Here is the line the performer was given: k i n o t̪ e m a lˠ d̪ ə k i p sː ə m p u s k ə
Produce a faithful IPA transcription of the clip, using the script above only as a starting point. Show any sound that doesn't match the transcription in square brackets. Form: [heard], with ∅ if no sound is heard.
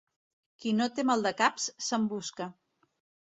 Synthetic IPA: k i n o t̪ e m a lˠ d̪ ə k [a] p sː ə m [b] u s k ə

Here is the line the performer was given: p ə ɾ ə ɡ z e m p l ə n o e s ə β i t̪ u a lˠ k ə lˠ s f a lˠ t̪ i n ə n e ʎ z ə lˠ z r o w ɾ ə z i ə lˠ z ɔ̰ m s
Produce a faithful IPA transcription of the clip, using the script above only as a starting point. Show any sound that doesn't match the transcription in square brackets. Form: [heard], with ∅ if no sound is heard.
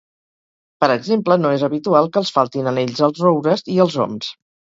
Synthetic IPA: p ə ɾ ə ɡ z e m p l ə n o e [z] ə β i t̪ u a lˠ k ə lˠ s f a lˠ t̪ i n ə n e ʎ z ə lˠ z r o w ɾ ə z i ə lˠ z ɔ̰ m s

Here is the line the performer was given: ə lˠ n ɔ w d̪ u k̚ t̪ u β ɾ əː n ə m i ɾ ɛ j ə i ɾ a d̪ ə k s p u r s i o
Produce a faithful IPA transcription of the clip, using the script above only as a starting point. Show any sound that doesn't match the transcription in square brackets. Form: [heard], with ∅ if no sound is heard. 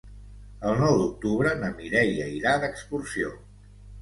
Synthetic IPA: ə lˠ n ɔ w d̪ u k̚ t̪ u β ɾ [ə] n ə m i ɾ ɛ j ə i ɾ a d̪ ə k s p u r s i o

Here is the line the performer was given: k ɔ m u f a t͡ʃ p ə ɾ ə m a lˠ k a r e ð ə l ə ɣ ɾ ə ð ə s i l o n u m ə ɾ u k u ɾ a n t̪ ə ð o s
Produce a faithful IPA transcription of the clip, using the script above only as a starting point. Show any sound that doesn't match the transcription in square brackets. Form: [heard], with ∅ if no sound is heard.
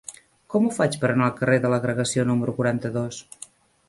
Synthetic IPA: k ɔ m u f a t͡ʃ p ə ɾ ə [n] a lˠ k [ə] r e ð ə l ə ɣ ɾ ə [ɣ] ə s i [∅] o n u m ə ɾ u k u ɾ a n t̪ ə ð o s

